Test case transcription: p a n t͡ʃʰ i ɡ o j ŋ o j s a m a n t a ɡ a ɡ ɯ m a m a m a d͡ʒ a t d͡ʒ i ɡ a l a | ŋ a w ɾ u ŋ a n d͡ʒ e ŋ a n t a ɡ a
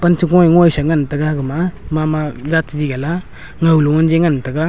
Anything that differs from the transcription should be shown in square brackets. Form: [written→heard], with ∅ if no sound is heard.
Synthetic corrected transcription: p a n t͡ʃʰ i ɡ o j ŋ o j s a [m→ŋ] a n t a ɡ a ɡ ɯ m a m a m a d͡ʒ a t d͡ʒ i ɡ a l a | ŋ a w [ɾ→l] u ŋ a n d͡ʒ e ŋ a n t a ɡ a